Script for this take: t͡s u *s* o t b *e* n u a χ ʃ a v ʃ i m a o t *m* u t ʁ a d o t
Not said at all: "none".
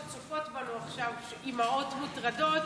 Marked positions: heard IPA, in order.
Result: f, a, m

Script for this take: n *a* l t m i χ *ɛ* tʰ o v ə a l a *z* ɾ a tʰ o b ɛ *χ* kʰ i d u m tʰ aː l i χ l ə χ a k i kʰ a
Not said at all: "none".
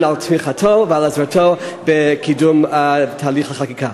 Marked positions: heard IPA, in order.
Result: a, a, z, none

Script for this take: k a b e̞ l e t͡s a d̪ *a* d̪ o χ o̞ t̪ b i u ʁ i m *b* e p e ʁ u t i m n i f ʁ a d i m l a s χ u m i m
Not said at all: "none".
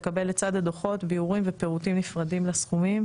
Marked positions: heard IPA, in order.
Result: a, v

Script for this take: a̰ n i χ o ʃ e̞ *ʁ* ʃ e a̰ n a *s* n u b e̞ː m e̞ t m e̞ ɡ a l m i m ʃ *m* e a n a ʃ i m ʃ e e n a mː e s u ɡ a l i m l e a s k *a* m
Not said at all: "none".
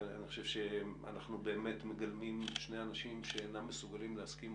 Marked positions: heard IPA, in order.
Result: v, χ, n, i

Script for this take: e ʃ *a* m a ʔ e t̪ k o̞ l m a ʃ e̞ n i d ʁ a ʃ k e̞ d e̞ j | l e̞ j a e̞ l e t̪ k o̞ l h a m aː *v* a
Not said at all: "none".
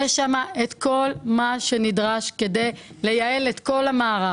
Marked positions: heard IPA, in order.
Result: a, ʁ

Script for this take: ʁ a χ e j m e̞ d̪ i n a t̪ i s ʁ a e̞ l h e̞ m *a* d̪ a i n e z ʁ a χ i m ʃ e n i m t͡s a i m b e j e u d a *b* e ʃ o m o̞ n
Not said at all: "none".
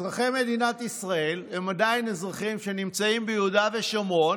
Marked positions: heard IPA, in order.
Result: a, v

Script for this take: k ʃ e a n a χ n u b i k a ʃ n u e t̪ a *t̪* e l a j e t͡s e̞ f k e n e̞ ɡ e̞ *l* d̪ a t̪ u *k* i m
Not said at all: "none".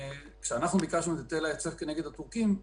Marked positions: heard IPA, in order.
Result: t̪, none, k

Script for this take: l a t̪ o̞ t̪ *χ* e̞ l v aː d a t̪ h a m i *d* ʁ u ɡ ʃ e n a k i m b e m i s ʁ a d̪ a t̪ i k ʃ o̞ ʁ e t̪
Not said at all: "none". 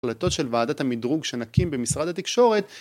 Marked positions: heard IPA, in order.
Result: ʃ, d

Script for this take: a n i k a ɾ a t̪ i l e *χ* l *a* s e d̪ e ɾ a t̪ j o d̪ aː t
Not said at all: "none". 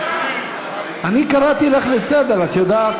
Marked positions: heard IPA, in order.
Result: χ, e

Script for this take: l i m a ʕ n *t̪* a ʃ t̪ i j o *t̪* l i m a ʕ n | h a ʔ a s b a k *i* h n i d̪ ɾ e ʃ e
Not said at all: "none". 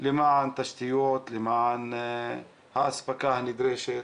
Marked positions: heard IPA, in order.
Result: t̪, t̪, a

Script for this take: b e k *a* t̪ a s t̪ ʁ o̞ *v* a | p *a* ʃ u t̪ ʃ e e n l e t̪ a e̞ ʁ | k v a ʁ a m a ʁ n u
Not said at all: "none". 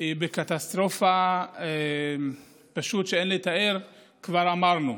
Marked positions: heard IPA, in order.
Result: a, f, a

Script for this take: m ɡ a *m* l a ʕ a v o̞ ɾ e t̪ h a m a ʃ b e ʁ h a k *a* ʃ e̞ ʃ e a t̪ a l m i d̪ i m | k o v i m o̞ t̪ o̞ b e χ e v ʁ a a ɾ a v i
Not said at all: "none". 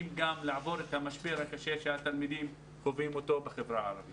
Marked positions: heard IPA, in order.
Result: m, a

